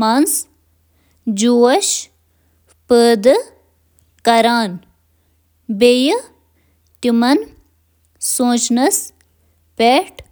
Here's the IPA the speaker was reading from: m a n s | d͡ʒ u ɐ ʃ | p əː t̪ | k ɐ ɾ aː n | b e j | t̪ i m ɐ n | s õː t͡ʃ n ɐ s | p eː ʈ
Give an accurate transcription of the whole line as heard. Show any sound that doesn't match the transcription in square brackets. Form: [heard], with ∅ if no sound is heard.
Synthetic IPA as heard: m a n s | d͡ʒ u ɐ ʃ | p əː [d̪] | k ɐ ɾ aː n | b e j | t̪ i m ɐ n | s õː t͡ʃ n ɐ s | p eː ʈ